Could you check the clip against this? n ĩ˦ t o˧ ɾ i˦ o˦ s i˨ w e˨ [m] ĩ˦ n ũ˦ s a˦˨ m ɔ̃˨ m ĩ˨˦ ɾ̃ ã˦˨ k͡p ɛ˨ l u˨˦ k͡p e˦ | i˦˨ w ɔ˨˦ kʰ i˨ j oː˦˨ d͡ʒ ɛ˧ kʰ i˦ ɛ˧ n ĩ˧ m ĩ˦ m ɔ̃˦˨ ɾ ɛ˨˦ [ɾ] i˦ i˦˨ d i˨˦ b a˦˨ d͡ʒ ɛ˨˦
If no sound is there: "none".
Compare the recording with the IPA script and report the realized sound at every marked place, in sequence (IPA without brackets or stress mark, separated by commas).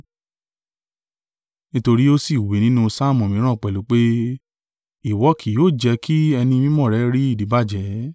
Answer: n, ɾ